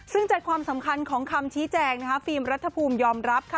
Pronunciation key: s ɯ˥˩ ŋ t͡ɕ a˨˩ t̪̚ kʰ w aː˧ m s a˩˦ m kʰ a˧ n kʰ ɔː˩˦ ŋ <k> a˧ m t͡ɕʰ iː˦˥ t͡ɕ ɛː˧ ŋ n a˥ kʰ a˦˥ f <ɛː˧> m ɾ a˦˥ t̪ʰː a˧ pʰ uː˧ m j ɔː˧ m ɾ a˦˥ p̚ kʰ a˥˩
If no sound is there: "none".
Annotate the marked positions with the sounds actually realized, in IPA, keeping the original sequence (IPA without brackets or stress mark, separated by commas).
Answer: kʰ, iː˧